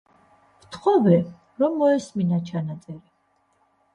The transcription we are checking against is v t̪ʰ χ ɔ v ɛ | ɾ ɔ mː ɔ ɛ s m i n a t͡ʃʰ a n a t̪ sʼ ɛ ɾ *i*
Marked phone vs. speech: correct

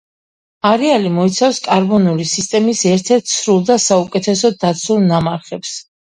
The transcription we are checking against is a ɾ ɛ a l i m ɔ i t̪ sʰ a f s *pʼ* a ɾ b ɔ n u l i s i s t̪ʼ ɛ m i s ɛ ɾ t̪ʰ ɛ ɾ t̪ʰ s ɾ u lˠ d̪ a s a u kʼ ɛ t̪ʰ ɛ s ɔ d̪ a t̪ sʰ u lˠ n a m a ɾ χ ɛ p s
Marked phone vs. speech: incorrect: kʼ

